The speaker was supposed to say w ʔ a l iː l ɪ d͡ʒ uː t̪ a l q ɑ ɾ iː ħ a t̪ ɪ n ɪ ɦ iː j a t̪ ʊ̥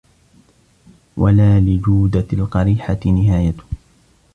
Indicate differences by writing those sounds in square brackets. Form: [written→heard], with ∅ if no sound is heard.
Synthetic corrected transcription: w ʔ a l [iː→aː] l ɪ d͡ʒ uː [t̪→d̪] a l q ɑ ɾ iː ħ a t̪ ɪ n ɪ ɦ [iː→aː] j a t̪ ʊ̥

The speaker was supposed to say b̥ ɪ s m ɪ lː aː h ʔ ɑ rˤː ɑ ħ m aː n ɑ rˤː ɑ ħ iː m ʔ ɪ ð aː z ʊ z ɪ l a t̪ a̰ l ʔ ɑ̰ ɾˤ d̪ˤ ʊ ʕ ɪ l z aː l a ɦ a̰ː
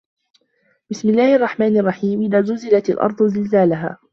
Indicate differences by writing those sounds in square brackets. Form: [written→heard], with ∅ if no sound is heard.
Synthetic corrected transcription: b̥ ɪ s m ɪ lː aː h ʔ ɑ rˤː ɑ ħ m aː n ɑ rˤː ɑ ħ iː m ʔ ɪ ð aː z ʊ z ɪ l a t̪ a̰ l ʔ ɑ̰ ɾˤ d̪ˤ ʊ [ʕ→z] ɪ l z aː l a ɦ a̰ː

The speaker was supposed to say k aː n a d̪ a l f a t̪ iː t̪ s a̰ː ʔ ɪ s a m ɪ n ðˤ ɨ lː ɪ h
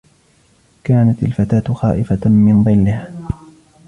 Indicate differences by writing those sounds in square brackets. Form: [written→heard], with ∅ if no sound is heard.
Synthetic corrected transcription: k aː n a [d̪→t̪] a l f a t̪ [iː→aː] t̪ [s→x] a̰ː ʔ ɪ [s→f] a m ɪ n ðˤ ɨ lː ɪ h

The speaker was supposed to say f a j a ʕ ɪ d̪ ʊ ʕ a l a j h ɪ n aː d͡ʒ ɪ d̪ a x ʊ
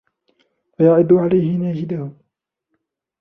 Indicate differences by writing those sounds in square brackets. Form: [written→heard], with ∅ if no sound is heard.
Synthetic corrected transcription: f a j a ʕ ɪ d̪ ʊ ʕ a l a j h ɪ n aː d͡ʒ ɪ d̪ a [x→h] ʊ

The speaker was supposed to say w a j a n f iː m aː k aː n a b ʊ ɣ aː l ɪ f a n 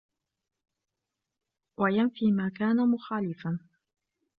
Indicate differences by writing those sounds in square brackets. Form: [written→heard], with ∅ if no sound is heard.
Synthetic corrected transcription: w a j a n f iː m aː k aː n a [b→m] ʊ [ɣ→x] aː l ɪ f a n

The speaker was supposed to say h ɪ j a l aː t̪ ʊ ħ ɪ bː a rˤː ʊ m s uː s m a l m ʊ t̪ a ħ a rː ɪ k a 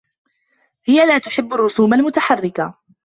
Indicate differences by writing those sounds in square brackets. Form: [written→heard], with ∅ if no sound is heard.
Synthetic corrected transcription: h ɪ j a l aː t̪ ʊ ħ ɪ bː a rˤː ʊ [m→∅] s uː [s→∅] m a l m ʊ t̪ a ħ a rː ɪ k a

